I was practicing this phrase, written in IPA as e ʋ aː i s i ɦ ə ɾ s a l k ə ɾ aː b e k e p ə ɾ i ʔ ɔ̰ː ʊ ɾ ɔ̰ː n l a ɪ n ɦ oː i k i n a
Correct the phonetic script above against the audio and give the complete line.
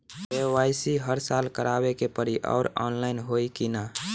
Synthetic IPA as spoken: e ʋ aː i s i ɦ ə ɾ s a l k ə ɾ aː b e k e p ə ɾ i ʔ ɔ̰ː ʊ ɾ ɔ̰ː n l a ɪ n ɦ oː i k i n a